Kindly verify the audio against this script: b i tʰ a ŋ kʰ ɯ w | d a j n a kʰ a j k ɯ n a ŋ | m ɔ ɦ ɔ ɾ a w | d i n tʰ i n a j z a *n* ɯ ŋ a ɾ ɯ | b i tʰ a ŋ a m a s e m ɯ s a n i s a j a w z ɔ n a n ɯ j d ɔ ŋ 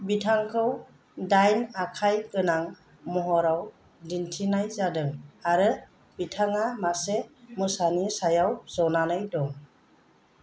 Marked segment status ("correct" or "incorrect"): incorrect